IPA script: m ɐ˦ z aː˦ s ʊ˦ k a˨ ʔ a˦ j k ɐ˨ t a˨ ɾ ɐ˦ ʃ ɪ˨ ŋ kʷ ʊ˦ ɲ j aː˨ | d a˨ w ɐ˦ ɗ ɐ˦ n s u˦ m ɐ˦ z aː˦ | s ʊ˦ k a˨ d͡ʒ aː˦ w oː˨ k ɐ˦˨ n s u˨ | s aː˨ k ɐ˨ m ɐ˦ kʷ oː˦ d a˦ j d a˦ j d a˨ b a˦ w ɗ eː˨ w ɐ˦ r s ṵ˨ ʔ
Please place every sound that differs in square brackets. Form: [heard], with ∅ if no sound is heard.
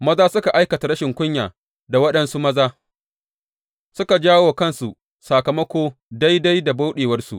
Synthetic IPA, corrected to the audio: m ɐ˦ z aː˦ s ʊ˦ k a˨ ʔ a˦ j k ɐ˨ t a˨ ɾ ɐ˦ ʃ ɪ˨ ŋ kʷ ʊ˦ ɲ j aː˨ | d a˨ w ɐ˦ ɗ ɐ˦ n s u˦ m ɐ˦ z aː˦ | s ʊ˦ k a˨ d͡ʒ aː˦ w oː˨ k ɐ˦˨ n s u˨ | s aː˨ k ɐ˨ m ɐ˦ kʷ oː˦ d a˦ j d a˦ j d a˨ b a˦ w ɗ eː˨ w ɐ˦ r s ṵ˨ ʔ